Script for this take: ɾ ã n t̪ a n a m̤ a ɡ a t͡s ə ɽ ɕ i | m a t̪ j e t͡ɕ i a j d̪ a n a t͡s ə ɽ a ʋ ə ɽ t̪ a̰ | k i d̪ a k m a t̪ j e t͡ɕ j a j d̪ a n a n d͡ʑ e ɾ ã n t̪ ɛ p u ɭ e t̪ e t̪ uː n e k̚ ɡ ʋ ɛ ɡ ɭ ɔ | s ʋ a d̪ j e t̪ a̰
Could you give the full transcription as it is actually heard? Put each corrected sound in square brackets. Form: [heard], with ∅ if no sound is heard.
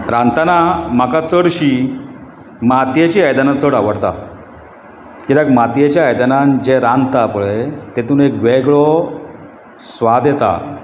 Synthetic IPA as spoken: ɾ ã n t̪ a n a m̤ a [k] a t͡s ə ɽ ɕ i | m a t̪ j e t͡ɕ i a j d̪ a n a t͡s ə ɽ a ʋ ə ɽ t̪ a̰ | k i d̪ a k m a t̪ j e t͡ɕ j a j d̪ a n a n d͡ʑ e ɾ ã n t̪ [a] p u ɭ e t̪ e t̪ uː n e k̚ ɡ ʋ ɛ ɡ ɭ ɔ | s ʋ a d̪ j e t̪ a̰